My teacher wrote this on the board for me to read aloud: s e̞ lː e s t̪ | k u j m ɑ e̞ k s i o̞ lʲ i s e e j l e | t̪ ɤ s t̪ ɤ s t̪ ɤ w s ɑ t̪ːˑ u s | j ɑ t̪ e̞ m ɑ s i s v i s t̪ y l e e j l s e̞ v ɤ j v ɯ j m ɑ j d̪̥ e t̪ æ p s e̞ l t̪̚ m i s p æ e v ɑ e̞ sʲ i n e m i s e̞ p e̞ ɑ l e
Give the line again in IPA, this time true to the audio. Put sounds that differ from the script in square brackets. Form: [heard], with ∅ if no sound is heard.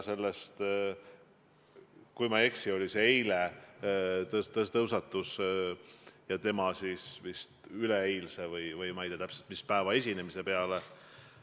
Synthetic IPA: s e̞ lː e s t̪ | k u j m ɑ e̞ k s i o̞ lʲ i s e e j l e | t̪ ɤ s t̪ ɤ s t̪ ɤ w s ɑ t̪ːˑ u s | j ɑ t̪ e̞ m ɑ s i s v i s t̪ y l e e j l s e̞ v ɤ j v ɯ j m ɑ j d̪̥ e t̪ æ p s e̞ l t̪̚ m i s p æ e v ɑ e̞ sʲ i n e m i s e̞ p e̞ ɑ l e

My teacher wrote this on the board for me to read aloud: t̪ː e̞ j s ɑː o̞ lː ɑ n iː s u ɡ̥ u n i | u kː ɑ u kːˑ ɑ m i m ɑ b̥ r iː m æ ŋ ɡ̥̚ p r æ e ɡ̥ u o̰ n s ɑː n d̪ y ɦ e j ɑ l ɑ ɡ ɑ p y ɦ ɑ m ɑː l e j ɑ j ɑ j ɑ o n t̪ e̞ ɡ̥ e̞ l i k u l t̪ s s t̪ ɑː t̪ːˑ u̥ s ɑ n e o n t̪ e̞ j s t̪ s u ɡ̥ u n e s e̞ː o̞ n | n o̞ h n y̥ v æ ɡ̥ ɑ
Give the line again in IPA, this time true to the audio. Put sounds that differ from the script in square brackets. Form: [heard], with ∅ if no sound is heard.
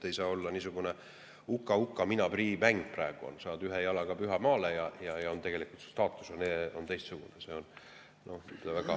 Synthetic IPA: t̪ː e̞ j s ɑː o̞ lː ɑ n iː s u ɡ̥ u n [e] | u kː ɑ u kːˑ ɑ m i [n] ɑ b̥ r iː m æ ŋ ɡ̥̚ p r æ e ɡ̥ u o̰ n s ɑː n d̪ y ɦ e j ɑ l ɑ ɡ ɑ p y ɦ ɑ m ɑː l e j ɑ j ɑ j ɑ o n t̪ e̞ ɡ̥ e̞ l i k u l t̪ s s t̪ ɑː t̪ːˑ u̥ s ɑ n e o n t̪ e̞ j s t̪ s u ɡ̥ u n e s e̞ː o̞ n | n o̞ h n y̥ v æ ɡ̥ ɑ

